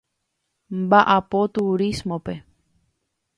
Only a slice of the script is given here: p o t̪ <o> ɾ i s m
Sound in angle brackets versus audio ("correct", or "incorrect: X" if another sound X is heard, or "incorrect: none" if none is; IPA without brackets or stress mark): incorrect: u